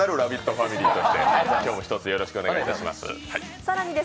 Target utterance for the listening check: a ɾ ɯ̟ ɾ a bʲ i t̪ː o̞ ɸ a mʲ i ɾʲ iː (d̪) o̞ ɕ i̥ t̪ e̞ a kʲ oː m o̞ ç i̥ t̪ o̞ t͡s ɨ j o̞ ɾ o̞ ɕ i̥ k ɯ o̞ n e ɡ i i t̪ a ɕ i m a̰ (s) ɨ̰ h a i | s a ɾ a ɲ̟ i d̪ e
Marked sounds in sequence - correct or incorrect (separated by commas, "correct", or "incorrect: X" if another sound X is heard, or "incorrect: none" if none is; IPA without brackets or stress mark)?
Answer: incorrect: t̪, correct